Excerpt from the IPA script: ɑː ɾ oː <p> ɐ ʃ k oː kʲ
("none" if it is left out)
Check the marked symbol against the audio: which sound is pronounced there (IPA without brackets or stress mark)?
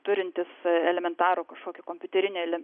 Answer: k